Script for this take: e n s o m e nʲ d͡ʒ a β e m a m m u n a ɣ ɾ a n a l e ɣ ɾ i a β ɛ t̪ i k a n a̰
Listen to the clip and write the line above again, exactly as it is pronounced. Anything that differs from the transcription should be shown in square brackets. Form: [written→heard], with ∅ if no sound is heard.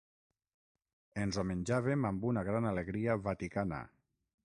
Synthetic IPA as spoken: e n [s→z] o m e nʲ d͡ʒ a β e m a m [m→b] u n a ɣ ɾ a n a l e ɣ ɾ i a β [ɛ→a] t̪ i k a n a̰